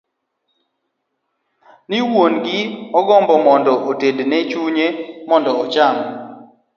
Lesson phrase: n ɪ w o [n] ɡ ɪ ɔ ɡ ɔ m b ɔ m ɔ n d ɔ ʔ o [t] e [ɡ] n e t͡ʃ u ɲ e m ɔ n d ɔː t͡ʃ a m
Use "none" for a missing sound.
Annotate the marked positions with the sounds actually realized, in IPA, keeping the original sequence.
n, t, d

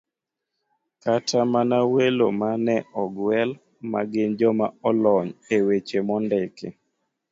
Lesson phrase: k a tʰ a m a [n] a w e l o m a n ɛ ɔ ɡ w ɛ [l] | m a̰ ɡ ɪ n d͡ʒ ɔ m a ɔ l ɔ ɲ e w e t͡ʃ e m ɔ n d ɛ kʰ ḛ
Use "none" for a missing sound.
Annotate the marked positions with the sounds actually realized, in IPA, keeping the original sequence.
n, l

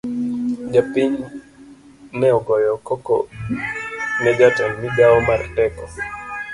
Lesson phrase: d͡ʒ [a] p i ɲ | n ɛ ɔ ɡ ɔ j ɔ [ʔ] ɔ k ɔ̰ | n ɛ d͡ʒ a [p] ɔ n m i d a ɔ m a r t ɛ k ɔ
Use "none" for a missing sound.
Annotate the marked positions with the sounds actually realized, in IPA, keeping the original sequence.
a, k, t

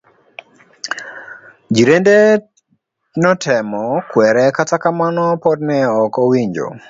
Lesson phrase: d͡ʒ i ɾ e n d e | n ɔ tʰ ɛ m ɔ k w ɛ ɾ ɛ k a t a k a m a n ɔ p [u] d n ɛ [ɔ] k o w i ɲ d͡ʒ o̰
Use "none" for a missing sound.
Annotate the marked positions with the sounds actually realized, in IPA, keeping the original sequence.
ɔ, ɔ

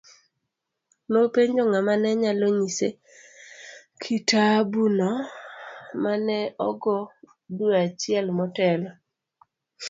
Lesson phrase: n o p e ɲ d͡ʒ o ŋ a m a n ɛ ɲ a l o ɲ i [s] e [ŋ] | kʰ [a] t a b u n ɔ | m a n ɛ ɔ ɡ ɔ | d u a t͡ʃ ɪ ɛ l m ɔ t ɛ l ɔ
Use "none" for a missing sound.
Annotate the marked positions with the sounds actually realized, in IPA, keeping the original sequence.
s, none, i

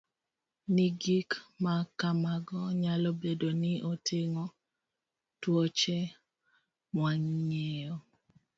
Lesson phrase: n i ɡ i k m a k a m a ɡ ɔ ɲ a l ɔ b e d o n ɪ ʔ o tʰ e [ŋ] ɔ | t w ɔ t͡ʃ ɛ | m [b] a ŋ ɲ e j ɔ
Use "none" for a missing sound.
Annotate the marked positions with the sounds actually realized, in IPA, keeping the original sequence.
ŋ, w

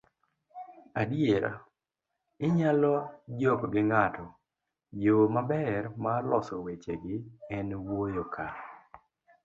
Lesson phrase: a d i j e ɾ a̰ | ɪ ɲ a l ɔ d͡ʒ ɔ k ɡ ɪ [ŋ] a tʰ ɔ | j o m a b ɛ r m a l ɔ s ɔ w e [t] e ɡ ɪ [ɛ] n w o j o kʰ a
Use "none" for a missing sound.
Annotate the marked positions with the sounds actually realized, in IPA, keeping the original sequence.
ŋ, t͡ʃ, ɛ

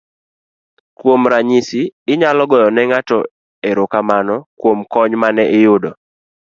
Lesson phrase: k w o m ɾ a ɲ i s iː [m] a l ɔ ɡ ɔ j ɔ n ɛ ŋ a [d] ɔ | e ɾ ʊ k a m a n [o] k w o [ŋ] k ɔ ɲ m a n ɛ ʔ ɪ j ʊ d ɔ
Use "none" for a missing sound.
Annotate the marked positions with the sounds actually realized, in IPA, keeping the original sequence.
ɲ, t, ɔ, m

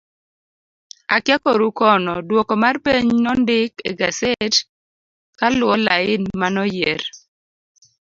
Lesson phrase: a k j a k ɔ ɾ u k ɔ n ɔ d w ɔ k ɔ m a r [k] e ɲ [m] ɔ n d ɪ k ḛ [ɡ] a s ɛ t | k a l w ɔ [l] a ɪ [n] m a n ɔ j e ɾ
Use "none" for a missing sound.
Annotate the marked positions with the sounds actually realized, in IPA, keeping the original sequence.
p, n, ɡ, l, n

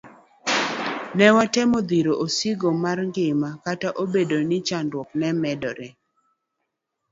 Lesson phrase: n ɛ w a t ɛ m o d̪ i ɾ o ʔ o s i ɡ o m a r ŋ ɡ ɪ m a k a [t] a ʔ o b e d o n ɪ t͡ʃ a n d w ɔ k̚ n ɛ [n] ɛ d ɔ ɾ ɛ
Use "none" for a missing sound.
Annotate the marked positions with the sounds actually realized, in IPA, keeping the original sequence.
t, m

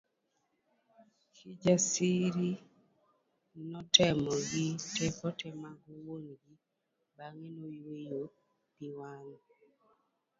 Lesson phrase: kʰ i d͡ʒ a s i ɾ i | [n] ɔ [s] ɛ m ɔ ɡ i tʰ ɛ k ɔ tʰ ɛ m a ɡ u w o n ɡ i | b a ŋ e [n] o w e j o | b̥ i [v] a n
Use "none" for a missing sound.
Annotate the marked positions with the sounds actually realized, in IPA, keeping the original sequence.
n, t, n, w

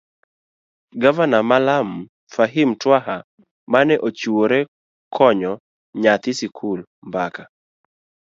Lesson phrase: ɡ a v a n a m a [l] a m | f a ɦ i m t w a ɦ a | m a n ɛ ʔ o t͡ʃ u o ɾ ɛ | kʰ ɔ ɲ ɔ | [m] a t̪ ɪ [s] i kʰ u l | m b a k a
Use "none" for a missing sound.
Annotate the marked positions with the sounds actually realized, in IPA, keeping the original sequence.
l, ɲ, s

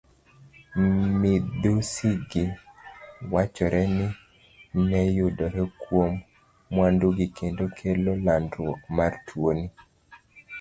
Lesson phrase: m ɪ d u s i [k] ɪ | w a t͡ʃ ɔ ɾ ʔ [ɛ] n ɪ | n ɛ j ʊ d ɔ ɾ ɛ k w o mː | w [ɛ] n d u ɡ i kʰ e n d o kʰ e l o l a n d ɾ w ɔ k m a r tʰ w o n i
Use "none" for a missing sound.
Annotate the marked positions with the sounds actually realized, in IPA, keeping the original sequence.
ɡ, ɛ, a

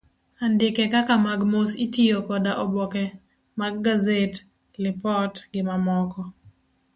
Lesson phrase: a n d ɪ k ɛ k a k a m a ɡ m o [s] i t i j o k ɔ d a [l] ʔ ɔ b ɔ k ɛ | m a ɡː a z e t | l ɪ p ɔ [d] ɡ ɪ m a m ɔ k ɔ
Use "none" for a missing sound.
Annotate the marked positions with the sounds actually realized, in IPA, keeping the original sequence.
s, none, t

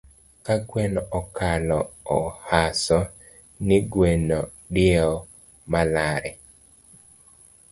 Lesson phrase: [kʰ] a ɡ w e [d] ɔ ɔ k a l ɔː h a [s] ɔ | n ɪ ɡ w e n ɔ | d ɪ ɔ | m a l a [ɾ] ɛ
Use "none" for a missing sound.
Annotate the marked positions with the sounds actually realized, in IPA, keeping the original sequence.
k, n, s, ɾ

